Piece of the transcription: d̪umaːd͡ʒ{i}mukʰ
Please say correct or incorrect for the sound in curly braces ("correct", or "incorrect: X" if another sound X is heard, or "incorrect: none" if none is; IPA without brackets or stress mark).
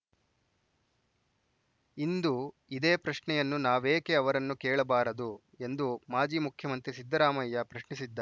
incorrect: iː